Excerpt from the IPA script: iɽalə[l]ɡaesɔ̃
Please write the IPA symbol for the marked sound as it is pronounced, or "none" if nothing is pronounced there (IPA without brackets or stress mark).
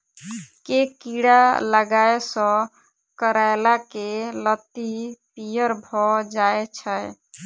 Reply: none